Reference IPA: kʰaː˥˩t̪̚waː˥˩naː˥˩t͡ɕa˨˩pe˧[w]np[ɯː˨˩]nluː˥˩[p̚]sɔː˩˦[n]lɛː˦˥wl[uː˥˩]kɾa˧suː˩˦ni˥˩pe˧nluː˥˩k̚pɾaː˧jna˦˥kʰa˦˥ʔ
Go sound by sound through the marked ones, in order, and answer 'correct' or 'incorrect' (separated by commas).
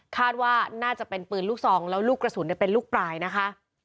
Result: incorrect, correct, incorrect, incorrect, correct